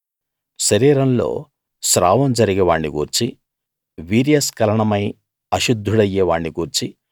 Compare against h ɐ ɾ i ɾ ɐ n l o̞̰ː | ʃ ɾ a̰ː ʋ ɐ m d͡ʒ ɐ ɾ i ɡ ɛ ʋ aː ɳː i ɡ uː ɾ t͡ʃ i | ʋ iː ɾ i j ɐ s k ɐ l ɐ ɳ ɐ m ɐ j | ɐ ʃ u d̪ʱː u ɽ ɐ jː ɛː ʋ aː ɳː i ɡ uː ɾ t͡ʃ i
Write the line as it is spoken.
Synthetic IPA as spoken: ʃ ɐ ɾ iː ɾ ɐ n l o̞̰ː | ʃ ɾ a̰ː ʋ ɐ m d͡ʒ ɐ ɾ i ɡ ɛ ʋ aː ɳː i ɡ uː ɾ t͡ʃ i | ʋ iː ɾ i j ɐ s k ɐ l ɐ ɳ ɐ m ɐ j | ɐ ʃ u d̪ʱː u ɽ ɐ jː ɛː ʋ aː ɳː i ɡ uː ɾ t͡ʃ i

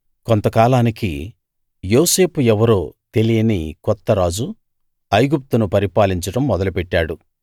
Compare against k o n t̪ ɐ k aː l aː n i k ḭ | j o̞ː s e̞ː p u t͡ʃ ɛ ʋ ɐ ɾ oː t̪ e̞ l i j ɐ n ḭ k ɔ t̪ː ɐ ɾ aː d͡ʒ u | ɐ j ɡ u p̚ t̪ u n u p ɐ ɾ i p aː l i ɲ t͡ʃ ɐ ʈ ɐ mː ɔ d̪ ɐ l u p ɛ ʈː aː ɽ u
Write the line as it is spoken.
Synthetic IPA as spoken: k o n t̪ ɐ k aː l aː n i k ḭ | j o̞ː s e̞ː p u ɛ ʋ ɐ ɾ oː t̪ e̞ l i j ɐ n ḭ k ɔ t̪ː ɐ ɾ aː d͡ʒ u | ɐ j ɡ u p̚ t̪ u n u p ɐ ɾ i p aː l i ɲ t͡ʃ ɐ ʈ ɐ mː ɔ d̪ ɐ l u p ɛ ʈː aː ɽ u

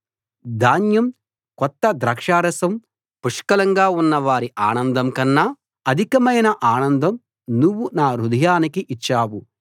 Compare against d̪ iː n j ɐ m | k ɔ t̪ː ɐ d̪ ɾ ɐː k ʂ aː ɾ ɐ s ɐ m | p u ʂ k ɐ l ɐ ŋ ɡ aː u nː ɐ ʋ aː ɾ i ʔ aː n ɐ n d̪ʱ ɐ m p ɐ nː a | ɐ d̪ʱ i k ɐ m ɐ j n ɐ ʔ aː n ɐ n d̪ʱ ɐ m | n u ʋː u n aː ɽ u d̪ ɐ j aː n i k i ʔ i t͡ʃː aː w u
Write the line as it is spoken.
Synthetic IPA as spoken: d̪ aː n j ɐ m | k ɔ t̪ː ɐ d̪ ɾ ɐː k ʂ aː ɾ ɐ s ɐ m | p u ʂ k ɐ l ɐ ŋ ɡ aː u nː ɐ ʋ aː ɾ i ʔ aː n ɐ n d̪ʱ ɐ m k ɐ nː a | ɐ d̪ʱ i k ɐ m ɐ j n ɐ ʔ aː n ɐ n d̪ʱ ɐ m | n u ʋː u n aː ɾ u d̪ ɐ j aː n i k i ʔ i t͡ʃː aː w u

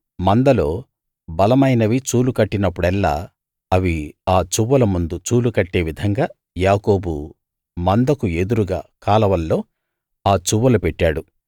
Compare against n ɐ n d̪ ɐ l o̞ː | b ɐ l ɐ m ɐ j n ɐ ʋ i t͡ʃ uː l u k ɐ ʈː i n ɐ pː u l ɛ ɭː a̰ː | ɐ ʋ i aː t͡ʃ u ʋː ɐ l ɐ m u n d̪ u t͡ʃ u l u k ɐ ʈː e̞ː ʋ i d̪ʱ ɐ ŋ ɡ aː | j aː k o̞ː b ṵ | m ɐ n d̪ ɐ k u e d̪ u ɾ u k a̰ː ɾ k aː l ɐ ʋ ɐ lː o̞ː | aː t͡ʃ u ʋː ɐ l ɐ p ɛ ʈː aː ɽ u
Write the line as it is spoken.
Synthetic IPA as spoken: m ɐ n d̪ ɐ l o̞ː | b ɐ l ɐ m ɐ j n ɐ ʋ i t͡ʃ uː l u k ɐ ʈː i n ɐ pː u ɽ ɛ lː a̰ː | ɐ ʋ i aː t͡ʃ u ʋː ɐ l ɐ m u n d̪ u t͡ʃ uː l u k ɐ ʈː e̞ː ʋ i d̪ʱ ɐ ŋ ɡ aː | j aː k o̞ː b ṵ | m ɐ n d̪ ɐ k u e d̪ u ɾ u ɡ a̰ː k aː l ɐ ʋ ɐ lː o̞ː | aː t͡ʃ u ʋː ɐ l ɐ p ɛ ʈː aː ɽ u

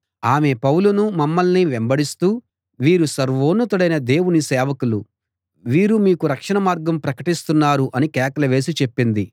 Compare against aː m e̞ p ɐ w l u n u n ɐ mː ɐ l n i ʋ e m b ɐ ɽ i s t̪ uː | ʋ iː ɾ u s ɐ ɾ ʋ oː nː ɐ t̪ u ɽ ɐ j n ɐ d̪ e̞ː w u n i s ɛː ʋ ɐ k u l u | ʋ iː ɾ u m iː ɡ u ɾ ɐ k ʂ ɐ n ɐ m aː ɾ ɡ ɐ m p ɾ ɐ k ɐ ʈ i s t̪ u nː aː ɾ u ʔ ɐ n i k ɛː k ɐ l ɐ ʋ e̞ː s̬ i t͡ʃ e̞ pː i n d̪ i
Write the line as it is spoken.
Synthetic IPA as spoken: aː m e̞ p ɐ w l u n u m ɐ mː ɐ l n i ʋ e m b ɐ ɽ i s t̪ uː | ʋ iː ɾ u s ɐ ɾ ʋ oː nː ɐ t̪ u ɽ ɐ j n ɐ d̪ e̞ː w u n i s ɛː ʋ ɐ k u l u | ʋ iː ɾ u m iː k u ɾ ɐ k ʂ ɐ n ɐ m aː ɾ ɡ ɐ m p ɾ ɐ k ɐ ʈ i s t̪ u nː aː ɾ u ʔ ɐ n i k ɛː k ɐ l ɐ ʋ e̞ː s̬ i t͡ʃ e̞ pː i n d̪ i

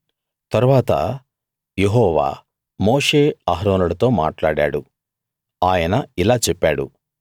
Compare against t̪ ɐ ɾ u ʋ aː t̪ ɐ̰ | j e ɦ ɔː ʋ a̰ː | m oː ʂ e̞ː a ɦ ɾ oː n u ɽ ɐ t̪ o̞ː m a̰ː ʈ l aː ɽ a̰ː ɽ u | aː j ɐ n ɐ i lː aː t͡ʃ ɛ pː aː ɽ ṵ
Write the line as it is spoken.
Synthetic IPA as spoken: t̪ ɐ ɾ u ʋ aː t̪ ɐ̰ | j e ɦ ɔː ʋ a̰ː | m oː ʂ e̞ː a ɦ ɾ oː n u ɽ ɐ t̪ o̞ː m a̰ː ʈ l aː ɽ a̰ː ɽ u | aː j ɐ n ɐ i l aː t͡ʃ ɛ pː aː ɽ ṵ

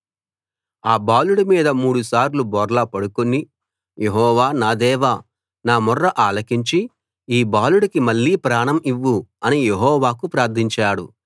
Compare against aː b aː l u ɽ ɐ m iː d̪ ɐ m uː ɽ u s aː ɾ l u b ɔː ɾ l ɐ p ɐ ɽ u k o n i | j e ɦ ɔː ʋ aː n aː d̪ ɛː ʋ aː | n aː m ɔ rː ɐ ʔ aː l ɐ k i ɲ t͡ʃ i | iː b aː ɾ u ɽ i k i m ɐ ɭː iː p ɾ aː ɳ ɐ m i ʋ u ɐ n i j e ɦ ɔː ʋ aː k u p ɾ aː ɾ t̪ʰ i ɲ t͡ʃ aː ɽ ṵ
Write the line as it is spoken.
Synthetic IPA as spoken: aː b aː l u ɽ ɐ m iː d̪ ɐ m uː ɽ u s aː ɾ l u b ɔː ɾ l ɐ p ɐ ɽ u k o n i | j e ɦ ɔː ʋ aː n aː d̪ ɛː ʋ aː | n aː m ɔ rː ɐ ʔ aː l ɐ k i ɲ t͡ʃ i | iː b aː l u ɽ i k i m ɐ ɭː iː p ɾ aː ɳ ɐ m i ʋː u ɐ n i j e ɦ ɔː ʋ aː k u p ɾ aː ɾ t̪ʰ i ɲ t͡ʃ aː ɽ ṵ

